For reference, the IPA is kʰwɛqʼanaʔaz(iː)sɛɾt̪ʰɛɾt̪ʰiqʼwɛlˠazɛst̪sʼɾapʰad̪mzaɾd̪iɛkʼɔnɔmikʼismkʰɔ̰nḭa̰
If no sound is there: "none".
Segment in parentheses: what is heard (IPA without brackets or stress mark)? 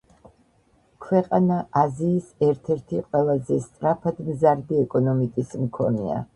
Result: iː